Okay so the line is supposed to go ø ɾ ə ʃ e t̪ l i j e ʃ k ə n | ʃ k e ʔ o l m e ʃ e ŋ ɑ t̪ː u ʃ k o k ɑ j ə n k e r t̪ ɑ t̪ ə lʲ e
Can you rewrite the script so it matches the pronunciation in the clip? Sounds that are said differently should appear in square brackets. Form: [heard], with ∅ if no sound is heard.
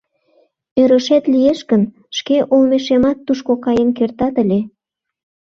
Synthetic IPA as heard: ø ɾ ə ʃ e t̪ l i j e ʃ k ə n | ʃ k e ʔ o l m e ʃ e [m] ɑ t̪ː u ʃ k o k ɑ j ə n k e r t̪ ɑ t̪ ə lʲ e